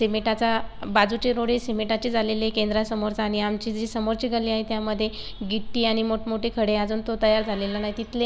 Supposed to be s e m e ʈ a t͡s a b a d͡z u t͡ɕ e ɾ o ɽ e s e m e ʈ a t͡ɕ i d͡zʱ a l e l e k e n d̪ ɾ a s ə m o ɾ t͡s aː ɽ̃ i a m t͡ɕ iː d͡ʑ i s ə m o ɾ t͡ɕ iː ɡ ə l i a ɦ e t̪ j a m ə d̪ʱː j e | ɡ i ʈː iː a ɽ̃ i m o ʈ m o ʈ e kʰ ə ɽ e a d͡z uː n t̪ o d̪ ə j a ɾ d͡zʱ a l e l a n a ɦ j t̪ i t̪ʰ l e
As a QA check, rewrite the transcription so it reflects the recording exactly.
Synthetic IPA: s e m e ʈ a t͡s a b a d͡z u t͡ɕ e ɾ o ɽ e s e m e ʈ a t͡ɕ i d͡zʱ a l e l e k e n d̪ ɾ a s ə m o ɾ t͡s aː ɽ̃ i a m t͡ɕ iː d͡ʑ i s ə m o ɾ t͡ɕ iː ɡ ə l i a ɦ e t̪ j a m ə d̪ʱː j e | ɡ i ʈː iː a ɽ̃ i m o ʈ m o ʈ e kʰ ə ɽ e a d͡z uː n t̪ o t̪ ə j a ɾ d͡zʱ a l e l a n a ɦ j t̪ i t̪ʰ l e